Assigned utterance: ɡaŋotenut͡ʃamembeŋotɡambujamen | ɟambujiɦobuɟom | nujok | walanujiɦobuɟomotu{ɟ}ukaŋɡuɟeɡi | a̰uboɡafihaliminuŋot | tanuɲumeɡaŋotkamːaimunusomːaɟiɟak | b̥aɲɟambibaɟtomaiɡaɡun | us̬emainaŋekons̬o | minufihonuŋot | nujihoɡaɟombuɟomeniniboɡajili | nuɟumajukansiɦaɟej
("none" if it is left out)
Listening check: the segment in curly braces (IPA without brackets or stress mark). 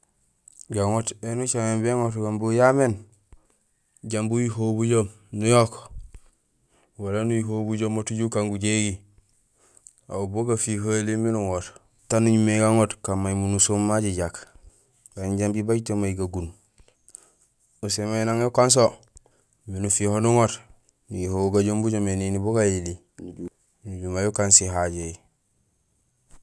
ɟ